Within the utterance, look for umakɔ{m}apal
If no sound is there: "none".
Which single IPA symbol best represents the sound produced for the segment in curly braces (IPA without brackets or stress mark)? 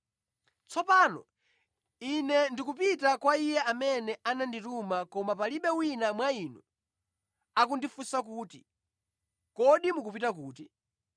m